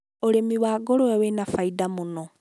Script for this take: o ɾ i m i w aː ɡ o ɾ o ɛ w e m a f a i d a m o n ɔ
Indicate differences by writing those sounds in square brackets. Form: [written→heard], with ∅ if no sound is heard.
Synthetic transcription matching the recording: o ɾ [i→e] m i w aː ɡ o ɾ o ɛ w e [m→n] a f a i d a m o n ɔ